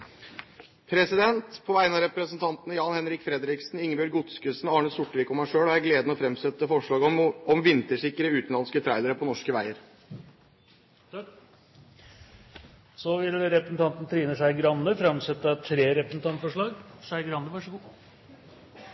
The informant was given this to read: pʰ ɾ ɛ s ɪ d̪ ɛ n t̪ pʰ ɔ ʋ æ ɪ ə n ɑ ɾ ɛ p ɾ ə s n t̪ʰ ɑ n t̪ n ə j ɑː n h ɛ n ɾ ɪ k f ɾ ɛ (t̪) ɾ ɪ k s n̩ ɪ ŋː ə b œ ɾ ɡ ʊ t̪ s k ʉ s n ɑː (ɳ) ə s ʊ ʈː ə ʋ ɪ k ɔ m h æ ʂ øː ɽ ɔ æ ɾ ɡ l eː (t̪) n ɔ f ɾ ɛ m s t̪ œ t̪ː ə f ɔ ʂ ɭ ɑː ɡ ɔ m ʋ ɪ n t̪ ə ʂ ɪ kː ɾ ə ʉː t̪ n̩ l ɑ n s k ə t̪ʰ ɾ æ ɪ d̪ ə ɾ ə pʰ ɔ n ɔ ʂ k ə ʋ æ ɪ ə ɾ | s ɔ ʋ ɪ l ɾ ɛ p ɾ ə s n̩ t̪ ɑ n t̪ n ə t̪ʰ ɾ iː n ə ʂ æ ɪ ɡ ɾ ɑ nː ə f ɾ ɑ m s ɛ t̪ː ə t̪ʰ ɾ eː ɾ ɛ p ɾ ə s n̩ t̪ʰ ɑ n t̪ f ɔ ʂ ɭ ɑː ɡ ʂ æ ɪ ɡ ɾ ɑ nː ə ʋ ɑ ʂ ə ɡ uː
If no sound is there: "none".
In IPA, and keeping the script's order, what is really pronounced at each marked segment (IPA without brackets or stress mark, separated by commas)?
d̪, ɳ, d̪